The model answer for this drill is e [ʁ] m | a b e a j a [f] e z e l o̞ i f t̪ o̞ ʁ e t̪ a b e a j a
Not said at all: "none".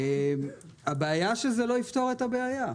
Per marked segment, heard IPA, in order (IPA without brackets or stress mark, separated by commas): none, ʃ